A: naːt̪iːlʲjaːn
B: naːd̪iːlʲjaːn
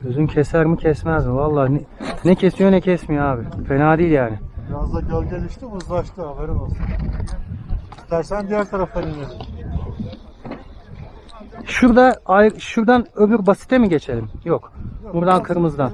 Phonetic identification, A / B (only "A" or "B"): B